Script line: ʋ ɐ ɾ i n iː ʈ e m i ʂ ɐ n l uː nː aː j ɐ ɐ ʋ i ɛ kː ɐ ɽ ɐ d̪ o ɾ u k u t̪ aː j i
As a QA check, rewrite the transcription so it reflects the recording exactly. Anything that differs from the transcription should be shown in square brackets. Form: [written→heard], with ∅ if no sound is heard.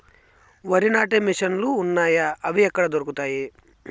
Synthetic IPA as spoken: ʋ ɐ ɾ i n [iː→aː] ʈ e m i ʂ ɐ n l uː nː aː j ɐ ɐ ʋ i ɛ kː ɐ ɽ ɐ d̪ o ɾ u k u t̪ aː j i